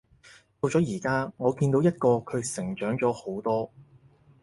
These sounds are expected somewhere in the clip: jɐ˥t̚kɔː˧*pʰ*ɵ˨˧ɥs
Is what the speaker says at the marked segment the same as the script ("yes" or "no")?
no